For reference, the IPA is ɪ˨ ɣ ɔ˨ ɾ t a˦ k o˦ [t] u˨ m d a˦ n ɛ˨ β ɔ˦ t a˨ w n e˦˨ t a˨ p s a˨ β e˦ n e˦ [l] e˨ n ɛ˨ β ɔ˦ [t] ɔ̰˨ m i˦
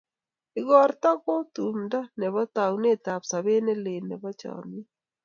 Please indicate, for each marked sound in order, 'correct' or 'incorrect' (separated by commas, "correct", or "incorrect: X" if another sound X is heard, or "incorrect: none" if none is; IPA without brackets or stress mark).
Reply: correct, correct, incorrect: t͡ʃ